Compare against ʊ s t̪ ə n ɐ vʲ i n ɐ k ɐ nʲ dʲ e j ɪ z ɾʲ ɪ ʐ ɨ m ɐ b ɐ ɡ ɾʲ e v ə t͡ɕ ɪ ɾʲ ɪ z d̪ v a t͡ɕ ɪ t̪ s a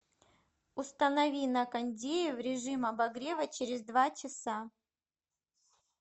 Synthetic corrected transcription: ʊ s t̪ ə n ɐ vʲ i n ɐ k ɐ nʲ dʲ e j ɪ v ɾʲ ɪ ʐ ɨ m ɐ b ɐ ɡ ɾʲ e v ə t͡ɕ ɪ ɾʲ ɪ z d̪ v a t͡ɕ ɪ s a